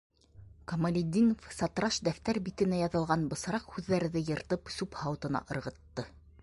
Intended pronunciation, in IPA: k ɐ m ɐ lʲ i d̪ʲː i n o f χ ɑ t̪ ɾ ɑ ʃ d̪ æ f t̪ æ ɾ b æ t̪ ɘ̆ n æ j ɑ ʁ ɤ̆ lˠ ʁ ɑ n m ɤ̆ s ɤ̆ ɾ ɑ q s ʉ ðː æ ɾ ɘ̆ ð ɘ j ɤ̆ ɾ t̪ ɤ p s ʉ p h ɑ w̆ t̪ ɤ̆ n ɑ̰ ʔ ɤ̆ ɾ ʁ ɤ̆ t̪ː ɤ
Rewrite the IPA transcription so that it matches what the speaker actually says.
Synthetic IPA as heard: k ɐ m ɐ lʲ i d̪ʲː i n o f s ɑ t̪ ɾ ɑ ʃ d̪ æ f t̪ æ ɾ b i t̪ ɘ̆ n æ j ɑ ð ɤ̆ lˠ ʁ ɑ n b ɤ̆ s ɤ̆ ɾ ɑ q h ʉ ðː æ ɾ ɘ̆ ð ɘ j ɤ̆ ɾ t̪ ɤ p s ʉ p h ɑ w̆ t̪ ɤ̆ n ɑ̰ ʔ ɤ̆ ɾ ʁ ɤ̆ t̪ː ɤ

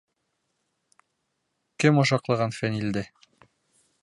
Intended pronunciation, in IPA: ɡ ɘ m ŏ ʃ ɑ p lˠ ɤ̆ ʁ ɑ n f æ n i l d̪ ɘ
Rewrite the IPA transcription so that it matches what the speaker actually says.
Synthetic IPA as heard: k ɘ m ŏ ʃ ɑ q lˠ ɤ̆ ʁ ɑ n f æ n i l d̪ ɘ

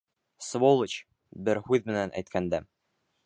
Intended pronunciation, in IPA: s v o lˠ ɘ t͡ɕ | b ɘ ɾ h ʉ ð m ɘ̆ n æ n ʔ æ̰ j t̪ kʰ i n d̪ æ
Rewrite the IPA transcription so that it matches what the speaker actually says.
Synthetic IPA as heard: s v o lˠ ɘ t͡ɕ | b ɘ ɾ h ʉ ð m ɘ̆ n æ n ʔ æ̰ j t̪ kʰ æ n d̪ æ

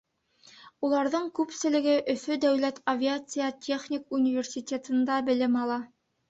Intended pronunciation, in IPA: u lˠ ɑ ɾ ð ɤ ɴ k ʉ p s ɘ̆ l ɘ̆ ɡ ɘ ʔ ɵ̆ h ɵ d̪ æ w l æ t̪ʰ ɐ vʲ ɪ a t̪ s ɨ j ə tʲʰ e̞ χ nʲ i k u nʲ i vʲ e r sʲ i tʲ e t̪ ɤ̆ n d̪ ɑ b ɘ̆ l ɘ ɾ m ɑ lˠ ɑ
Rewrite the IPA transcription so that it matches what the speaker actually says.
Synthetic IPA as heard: u lˠ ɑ ɾ ð ɤ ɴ k ʉ p s ɘ̆ l ɘ̆ ɡ ɘ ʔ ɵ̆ f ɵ d̪ æ w l æ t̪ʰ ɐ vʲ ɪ a t̪ s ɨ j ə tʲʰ e̞ χ nʲ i k u nʲ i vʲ e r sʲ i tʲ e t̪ ɤ̆ n d̪ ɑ b ɘ̆ l ɘ m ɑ lˠ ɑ

